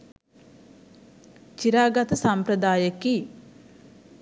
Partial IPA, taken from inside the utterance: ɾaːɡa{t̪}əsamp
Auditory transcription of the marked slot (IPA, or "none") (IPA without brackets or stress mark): t̪